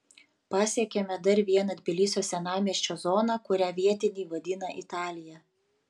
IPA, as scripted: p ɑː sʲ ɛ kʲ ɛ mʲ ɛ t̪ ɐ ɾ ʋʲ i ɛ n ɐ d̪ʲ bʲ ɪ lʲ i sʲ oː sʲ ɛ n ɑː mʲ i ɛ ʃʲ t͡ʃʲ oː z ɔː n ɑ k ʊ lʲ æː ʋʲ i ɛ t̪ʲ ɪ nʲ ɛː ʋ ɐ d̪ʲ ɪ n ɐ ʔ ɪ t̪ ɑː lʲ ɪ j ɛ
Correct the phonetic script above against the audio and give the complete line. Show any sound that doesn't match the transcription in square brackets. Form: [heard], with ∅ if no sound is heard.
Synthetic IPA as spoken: p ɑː sʲ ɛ kʲ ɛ mʲ ɛ [d̪] ɐ ɾ ʋʲ i ɛ n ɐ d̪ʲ bʲ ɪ lʲ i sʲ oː sʲ ɛ n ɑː mʲ i ɛ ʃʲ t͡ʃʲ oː z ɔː n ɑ k ʊ [ɾʲ] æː ʋʲ i ɛ t̪ʲ ɪ nʲ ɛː ʋ ɐ d̪ʲ ɪ n ɐ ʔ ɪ t̪ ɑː lʲ ɪ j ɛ